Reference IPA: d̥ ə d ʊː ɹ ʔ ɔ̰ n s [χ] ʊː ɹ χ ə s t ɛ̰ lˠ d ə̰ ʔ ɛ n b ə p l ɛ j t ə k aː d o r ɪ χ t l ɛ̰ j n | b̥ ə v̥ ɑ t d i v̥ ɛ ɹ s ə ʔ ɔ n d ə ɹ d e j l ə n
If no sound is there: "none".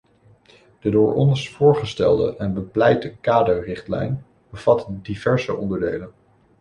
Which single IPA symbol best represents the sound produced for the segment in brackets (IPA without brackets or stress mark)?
f